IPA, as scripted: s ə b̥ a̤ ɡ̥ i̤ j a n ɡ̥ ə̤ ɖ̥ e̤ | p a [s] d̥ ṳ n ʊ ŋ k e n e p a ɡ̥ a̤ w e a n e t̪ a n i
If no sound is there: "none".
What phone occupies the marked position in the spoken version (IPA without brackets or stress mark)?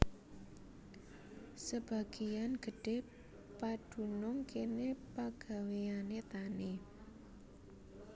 none